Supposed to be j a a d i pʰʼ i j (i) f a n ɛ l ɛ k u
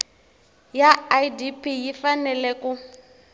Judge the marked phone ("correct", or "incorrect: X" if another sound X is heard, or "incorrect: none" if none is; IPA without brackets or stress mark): correct